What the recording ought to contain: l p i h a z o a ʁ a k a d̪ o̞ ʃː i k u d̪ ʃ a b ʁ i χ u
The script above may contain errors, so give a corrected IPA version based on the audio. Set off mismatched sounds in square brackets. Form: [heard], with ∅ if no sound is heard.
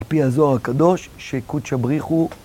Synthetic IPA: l p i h a z o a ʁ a k a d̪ o̞ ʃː [e] k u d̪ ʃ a b ʁ i χ u